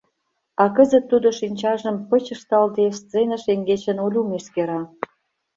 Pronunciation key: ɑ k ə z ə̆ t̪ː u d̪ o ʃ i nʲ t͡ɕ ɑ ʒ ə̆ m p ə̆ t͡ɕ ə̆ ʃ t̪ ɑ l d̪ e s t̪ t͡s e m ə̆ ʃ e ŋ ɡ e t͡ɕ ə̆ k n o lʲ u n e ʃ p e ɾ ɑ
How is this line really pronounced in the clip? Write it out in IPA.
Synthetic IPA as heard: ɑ k ə z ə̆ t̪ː u d̪ o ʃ i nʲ t͡ɕ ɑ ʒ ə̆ m p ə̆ t͡ɕ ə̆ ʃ t̪ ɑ l d̪ e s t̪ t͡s e n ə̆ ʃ e ŋ ɡ e t͡ɕ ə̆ n o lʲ u m e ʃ k e ɾ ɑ